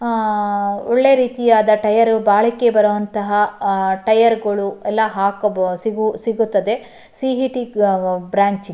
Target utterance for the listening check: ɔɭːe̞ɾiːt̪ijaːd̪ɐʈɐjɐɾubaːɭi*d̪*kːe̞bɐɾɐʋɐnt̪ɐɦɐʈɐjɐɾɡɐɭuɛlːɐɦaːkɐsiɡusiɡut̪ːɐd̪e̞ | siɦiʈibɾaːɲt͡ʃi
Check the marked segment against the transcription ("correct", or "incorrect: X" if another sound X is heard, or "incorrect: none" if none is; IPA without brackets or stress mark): incorrect: none